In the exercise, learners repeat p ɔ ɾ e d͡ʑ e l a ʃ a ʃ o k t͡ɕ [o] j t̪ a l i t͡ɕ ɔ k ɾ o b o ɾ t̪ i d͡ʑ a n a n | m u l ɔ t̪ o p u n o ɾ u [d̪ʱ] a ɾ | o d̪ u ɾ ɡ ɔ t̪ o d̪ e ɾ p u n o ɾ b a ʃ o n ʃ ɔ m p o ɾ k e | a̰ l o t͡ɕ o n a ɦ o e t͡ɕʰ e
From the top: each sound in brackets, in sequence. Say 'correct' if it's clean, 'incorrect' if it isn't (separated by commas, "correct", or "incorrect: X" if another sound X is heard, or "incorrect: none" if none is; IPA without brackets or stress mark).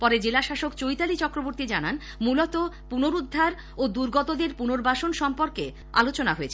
correct, incorrect: d̪ʱː